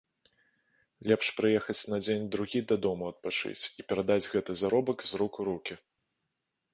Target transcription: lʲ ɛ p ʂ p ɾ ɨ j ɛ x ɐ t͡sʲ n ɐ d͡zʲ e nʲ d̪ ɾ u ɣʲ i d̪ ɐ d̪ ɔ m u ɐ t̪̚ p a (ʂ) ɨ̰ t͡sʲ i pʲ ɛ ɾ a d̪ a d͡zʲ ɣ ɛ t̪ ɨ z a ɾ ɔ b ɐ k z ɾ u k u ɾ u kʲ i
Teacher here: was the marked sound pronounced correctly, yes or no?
no